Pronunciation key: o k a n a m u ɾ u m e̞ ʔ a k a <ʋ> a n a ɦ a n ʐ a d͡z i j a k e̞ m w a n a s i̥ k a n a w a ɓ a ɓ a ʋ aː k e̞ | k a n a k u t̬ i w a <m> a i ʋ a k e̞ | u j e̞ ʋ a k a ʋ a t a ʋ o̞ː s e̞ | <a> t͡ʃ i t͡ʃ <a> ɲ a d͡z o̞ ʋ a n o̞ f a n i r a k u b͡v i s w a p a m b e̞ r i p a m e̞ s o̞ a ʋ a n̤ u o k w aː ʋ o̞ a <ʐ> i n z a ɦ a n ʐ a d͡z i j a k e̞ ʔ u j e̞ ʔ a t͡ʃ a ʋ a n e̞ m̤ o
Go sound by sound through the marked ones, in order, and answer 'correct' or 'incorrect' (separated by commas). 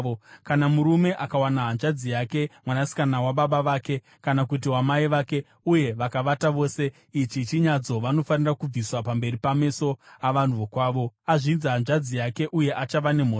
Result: incorrect, correct, incorrect, incorrect, correct